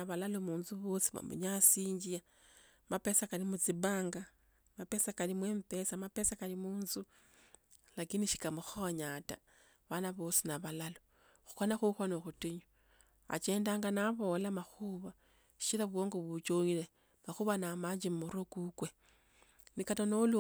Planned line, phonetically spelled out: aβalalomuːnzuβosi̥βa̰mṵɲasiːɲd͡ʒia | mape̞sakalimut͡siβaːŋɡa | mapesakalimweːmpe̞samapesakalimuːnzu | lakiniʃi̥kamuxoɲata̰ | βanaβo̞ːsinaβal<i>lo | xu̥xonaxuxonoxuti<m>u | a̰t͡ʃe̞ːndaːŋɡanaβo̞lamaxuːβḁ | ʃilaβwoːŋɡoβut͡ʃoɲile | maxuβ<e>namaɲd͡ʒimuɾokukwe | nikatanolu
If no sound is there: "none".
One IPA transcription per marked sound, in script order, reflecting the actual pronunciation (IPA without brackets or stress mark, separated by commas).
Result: a, ɲ, a